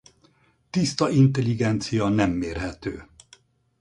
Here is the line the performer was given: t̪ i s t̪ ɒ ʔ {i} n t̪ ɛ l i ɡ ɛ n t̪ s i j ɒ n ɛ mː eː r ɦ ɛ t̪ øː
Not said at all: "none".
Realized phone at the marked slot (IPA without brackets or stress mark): i